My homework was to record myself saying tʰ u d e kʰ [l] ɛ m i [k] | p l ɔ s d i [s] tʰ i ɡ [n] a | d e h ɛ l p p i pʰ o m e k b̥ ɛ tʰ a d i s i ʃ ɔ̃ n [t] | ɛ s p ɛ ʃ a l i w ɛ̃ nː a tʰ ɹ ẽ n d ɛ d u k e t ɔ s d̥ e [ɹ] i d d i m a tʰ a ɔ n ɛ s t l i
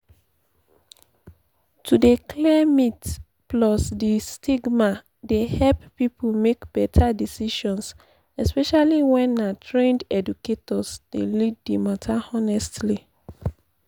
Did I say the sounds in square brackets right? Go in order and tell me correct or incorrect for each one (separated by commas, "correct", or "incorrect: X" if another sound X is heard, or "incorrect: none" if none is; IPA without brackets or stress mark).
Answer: correct, incorrect: t, correct, incorrect: m, incorrect: s, incorrect: l